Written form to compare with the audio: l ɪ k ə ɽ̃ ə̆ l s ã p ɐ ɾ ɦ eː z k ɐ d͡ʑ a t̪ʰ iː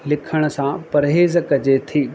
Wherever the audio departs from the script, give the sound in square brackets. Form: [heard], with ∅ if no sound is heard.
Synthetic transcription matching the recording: l ɪ [kʰ] ə ɽ̃ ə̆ [∅] s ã p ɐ ɾ ɦ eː z k ɐ d͡ʑ [e] t̪ʰ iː